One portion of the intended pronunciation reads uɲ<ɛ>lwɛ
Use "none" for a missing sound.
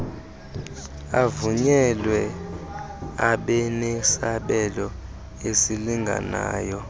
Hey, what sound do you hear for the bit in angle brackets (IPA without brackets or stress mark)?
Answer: ɛ